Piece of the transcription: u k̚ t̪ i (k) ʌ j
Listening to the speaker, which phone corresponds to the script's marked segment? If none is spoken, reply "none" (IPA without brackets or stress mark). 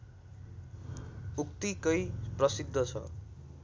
k